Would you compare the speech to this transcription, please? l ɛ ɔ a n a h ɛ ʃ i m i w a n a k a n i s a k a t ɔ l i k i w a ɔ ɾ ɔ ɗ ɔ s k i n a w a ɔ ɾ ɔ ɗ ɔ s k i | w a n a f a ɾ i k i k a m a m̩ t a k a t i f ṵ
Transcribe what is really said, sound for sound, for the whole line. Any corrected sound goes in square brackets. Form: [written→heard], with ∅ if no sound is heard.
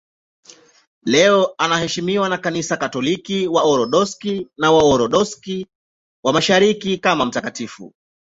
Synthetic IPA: l ɛ ɔ a n a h ɛ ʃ i m i w a n a k a n i s a k a t ɔ l i k i w a ɔ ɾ ɔ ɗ ɔ s k i n a w a ɔ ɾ ɔ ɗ ɔ s k i | w a [n→m] a [f→ʃ] a ɾ i k i k a m a m̩ t a k a t i f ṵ